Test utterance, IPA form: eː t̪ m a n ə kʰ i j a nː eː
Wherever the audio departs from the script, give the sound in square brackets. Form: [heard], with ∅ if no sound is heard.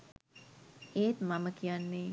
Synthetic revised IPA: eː t̪ m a [m] ə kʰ i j a nː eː